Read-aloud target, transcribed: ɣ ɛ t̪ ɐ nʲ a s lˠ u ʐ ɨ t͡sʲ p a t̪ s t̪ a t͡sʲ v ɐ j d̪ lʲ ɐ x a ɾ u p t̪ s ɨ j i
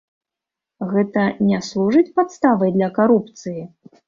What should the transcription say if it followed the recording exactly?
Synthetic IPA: ɣ ɛ t̪ ɐ nʲ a s lˠ u ʐ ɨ t͡sʲ p a t̪ s t̪ a v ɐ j d̪ lʲ ɐ k a ɾ u p t̪ s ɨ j i